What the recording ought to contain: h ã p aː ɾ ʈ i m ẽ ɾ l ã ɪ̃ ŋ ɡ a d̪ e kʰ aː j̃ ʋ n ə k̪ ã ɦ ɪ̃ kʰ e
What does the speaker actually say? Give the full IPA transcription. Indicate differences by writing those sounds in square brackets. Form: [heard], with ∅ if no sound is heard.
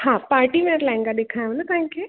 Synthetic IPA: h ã p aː ɾ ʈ i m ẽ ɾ l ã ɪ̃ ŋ ɡ a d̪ e kʰ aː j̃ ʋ n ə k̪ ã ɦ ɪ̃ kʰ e